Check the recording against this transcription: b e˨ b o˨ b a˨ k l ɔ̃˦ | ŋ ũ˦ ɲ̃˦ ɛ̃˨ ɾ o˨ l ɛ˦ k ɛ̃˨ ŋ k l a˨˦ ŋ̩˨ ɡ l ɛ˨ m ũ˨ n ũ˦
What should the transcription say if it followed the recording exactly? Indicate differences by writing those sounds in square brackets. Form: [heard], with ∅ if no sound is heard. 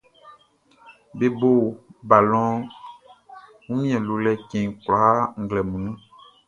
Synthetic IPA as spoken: b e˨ b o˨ b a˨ [∅] l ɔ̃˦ | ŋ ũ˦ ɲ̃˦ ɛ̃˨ [l] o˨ l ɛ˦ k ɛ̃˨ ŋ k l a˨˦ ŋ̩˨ ɡ l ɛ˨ m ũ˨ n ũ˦